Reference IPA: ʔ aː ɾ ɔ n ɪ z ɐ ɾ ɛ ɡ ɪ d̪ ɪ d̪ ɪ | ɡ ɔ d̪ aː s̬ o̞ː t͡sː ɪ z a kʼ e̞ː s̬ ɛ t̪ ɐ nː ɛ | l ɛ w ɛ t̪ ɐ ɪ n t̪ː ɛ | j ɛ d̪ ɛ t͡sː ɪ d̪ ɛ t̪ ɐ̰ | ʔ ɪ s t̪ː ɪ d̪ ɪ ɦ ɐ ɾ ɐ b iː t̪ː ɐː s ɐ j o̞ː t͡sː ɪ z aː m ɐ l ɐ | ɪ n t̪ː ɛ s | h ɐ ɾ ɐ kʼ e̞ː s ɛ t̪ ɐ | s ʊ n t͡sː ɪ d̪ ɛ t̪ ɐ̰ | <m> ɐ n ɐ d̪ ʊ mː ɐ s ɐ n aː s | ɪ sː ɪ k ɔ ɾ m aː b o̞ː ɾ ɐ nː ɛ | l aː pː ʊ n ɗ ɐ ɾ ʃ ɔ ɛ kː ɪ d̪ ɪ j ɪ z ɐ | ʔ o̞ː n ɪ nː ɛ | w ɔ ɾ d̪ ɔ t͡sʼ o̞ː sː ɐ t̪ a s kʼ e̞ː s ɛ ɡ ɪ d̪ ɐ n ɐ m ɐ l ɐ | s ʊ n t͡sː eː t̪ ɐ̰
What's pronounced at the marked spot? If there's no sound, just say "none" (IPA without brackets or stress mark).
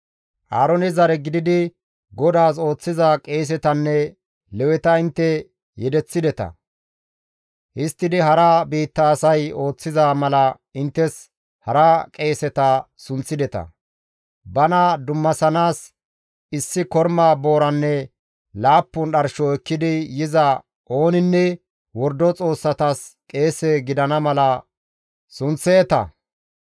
b